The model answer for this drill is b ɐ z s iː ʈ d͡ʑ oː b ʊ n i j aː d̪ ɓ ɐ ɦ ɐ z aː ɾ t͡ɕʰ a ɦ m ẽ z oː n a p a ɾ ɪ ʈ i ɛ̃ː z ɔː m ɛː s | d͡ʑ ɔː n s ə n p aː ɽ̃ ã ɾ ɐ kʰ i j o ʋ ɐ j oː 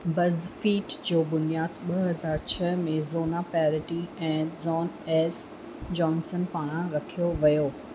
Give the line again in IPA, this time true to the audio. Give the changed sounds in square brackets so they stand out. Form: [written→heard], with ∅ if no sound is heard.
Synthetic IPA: b ɐ z [s→f] iː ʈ d͡ʑ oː b ʊ n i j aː d̪ ɓ ɐ ɦ ɐ z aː ɾ t͡ɕʰ [a→ɐ] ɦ m ẽ z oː n a p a ɾ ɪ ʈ i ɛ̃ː z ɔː [m→n] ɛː s | d͡ʑ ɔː n s ə n p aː ɽ̃ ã ɾ ɐ kʰ i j o ʋ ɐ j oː